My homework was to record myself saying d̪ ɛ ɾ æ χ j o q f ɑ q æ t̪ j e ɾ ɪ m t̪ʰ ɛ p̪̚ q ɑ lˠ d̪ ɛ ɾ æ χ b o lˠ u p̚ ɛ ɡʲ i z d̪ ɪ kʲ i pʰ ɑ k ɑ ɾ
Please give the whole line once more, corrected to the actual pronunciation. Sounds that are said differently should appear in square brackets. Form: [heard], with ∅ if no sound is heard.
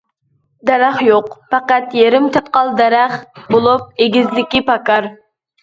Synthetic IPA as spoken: d̪ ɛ ɾ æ χ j o q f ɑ q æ t̪ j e ɾ ɪ m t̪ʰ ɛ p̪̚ q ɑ lˠ d̪ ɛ ɾ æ χ b o lˠ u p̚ [e] ɡʲ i z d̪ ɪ kʲ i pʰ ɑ k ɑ ɾ